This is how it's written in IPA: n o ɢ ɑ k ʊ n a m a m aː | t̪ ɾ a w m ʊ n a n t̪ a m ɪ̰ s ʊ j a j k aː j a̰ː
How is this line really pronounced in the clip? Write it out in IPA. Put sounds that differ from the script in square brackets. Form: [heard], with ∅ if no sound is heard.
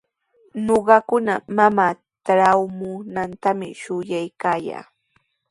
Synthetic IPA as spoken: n o ɢ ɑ k ʊ n a m a m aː | t̪ ɾ a w m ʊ n a n t̪ a m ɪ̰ [ʃ] ʊ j a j k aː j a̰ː